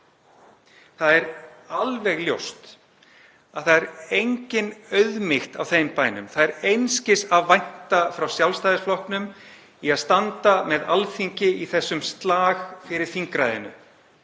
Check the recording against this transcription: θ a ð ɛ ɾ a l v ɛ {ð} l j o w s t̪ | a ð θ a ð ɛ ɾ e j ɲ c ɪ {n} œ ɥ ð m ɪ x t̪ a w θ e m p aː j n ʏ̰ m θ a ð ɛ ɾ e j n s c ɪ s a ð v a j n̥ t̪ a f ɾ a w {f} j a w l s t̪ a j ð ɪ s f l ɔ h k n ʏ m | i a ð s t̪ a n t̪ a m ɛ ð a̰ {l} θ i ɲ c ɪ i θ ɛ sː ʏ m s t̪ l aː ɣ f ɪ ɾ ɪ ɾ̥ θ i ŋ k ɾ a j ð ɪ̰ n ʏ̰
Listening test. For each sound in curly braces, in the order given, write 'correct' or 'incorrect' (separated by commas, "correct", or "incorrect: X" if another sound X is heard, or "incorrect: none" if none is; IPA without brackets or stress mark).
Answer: incorrect: ɣ, correct, incorrect: s, correct